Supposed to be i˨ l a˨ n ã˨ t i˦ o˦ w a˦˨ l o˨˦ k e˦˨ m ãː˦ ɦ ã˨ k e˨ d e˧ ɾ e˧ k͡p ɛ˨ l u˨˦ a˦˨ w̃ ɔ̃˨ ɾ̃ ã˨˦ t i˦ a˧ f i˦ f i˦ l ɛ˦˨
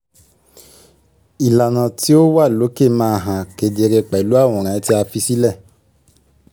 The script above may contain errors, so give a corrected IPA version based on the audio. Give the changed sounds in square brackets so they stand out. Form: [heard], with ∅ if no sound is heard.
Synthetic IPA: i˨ l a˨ n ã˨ t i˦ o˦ w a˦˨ l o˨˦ k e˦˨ m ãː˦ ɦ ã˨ k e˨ d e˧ ɾ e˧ k͡p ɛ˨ l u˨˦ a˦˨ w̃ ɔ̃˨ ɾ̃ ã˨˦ t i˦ a˧ f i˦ [s] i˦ l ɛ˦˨